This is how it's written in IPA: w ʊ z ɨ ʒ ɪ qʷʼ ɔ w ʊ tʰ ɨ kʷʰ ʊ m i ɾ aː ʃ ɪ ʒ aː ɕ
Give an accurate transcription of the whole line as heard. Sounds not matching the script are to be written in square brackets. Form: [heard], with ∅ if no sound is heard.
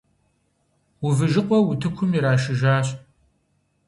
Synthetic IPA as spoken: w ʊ [v] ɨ ʒ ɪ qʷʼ ɔ w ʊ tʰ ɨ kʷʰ ʊ m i ɾ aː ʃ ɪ ʒ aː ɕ